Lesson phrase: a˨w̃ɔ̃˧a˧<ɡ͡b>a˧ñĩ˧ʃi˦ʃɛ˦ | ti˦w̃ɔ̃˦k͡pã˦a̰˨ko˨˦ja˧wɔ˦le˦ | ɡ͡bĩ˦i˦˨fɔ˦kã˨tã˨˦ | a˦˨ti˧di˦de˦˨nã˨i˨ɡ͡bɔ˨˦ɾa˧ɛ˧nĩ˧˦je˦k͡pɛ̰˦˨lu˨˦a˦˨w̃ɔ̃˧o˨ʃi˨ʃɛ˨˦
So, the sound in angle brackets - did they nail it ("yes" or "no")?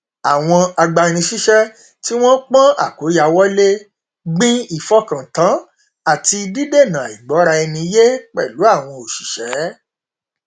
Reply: yes